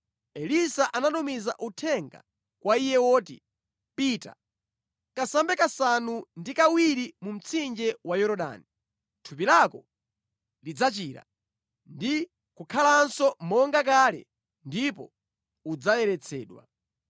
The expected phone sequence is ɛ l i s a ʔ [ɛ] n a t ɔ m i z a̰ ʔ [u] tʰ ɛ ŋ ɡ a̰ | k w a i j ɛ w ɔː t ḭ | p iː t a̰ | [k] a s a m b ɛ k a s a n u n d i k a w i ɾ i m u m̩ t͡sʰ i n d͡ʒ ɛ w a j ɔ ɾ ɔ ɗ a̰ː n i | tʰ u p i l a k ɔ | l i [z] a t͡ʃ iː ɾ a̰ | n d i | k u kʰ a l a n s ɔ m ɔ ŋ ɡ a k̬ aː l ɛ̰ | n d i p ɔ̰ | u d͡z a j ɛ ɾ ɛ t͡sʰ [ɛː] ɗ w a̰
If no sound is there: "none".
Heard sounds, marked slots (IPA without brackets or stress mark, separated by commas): a, u, k, d͡z, ɛː